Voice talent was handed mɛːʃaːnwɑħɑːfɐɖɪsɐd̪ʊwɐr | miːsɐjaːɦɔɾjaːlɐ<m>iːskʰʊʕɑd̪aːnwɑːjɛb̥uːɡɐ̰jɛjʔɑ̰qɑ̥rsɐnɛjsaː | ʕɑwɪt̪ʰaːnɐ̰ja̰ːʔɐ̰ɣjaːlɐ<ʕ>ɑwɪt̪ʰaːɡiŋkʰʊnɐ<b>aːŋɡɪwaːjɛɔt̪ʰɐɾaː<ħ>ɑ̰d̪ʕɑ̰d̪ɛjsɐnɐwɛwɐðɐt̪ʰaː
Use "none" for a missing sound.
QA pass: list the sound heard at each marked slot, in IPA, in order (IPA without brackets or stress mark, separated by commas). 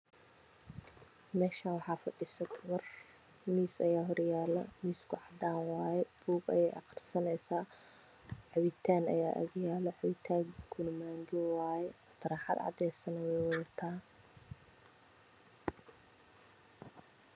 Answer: m, ʕ, m, ħ